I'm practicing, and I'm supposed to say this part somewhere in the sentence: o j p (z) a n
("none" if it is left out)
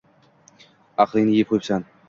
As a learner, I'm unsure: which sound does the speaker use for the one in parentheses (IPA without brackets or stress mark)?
s